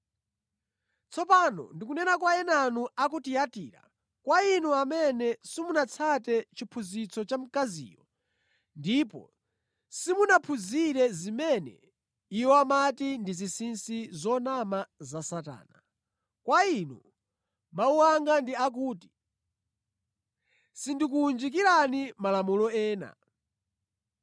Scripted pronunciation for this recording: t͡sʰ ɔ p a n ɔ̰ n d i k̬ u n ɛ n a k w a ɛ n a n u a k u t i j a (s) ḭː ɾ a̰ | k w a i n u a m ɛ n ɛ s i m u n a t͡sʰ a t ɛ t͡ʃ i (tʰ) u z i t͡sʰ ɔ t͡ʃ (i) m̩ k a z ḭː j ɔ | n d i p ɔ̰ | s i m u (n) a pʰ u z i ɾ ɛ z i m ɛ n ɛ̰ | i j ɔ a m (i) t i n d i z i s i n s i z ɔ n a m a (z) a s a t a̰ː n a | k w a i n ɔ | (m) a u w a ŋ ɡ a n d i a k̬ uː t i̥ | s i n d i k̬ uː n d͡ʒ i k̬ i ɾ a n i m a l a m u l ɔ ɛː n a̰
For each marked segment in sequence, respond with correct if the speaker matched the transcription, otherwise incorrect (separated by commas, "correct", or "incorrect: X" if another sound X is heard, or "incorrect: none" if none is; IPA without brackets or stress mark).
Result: incorrect: t, incorrect: pʰ, incorrect: a, correct, incorrect: a, correct, correct